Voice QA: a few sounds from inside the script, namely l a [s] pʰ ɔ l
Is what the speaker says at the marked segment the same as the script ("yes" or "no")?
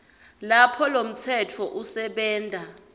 no